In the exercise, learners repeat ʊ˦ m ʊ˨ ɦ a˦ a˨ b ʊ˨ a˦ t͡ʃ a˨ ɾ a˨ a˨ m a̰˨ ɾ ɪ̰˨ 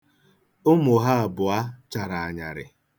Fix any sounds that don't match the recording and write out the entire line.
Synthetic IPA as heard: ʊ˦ m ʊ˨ ɦ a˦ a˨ b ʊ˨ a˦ t͡ʃ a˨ ɾ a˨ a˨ ɲ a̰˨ ɾ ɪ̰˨